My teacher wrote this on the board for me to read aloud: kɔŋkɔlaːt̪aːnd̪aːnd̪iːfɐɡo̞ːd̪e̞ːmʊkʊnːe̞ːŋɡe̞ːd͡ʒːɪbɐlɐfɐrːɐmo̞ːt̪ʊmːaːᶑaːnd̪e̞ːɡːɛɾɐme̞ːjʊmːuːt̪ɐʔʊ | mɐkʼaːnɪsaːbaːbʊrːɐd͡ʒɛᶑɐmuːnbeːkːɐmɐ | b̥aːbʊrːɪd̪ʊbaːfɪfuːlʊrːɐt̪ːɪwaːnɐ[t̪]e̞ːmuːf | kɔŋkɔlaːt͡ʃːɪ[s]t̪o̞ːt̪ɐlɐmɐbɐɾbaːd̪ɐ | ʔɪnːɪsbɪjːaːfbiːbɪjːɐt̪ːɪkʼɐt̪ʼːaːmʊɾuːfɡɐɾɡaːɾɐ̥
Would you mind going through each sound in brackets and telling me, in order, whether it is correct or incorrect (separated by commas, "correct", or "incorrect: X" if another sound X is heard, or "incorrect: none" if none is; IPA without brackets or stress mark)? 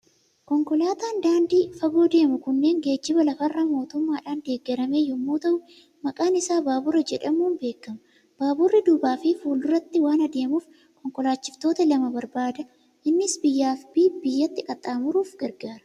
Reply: incorrect: d̪, incorrect: f